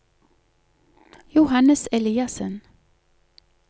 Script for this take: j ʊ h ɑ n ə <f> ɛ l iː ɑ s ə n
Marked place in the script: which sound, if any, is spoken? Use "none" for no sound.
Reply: s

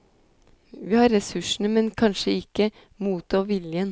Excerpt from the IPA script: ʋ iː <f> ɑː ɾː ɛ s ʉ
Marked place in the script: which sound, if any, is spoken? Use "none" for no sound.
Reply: h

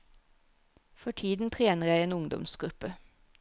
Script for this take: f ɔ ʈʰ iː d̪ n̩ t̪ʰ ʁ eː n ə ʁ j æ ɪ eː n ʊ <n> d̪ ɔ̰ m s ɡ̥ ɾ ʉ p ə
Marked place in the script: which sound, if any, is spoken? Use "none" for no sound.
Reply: ŋ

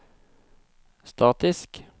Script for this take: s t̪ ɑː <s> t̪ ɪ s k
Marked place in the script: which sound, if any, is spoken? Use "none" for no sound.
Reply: none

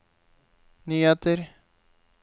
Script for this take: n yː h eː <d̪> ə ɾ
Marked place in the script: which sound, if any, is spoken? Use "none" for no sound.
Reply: t̪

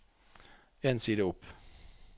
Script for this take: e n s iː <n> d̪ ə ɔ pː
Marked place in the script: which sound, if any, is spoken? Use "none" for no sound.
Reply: none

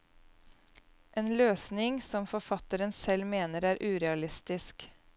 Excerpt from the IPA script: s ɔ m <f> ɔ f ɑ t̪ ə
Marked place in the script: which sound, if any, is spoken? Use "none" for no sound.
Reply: f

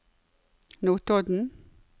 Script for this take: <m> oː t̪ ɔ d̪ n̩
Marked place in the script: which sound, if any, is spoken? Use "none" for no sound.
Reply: n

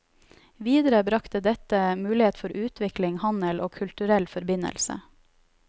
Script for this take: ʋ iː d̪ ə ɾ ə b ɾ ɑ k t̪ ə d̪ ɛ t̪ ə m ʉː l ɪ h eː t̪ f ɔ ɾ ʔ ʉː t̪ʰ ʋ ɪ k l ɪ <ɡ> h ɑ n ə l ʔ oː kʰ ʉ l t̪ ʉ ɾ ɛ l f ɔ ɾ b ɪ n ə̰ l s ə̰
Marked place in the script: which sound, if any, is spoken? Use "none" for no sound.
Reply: ŋ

